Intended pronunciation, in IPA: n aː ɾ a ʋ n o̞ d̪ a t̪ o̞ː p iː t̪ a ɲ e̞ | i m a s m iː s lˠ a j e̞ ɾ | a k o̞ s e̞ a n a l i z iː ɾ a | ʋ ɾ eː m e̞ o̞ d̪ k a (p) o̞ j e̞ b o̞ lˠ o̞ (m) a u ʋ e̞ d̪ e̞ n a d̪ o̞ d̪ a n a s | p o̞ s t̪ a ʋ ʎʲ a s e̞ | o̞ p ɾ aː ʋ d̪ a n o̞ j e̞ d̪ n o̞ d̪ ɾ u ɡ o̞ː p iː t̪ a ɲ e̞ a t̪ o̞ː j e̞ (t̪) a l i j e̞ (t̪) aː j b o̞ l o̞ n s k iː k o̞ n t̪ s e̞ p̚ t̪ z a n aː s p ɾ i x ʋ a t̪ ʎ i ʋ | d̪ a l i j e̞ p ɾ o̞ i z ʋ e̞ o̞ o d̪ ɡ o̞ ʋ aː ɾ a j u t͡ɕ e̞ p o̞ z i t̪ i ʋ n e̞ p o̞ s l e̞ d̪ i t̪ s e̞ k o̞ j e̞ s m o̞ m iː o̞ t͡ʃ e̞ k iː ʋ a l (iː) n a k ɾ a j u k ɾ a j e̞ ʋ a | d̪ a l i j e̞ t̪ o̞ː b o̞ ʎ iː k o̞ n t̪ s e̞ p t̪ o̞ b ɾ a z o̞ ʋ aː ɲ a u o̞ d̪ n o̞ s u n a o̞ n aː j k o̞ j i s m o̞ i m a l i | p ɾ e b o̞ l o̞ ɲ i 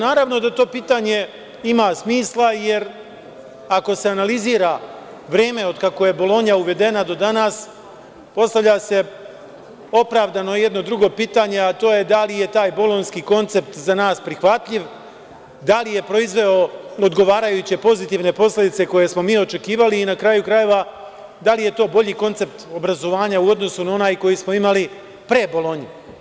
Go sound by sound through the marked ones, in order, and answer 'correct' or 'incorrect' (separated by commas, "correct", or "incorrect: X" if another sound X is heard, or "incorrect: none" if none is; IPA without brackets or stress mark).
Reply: incorrect: k, incorrect: ɲ, incorrect: d̪, correct, correct